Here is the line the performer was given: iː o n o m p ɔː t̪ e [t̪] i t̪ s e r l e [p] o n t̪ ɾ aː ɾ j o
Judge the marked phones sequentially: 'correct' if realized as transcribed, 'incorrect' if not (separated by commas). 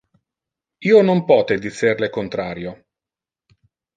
incorrect, incorrect